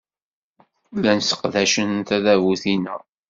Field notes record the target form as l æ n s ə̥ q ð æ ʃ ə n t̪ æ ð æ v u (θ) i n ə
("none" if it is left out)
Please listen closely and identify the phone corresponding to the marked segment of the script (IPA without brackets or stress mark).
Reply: θ